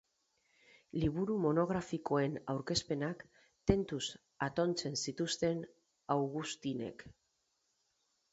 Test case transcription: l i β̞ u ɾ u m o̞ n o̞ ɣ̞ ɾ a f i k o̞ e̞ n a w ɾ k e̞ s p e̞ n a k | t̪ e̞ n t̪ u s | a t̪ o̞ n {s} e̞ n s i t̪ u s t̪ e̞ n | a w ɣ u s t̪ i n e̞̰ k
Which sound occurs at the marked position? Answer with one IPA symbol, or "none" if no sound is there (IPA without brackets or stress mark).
t͡s